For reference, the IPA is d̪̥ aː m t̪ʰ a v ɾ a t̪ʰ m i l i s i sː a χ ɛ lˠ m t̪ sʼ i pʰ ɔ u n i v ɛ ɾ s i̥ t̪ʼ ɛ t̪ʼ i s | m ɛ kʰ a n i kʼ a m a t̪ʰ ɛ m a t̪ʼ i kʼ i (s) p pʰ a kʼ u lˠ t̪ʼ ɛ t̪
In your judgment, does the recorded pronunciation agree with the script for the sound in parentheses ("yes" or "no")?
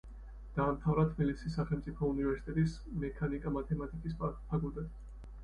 yes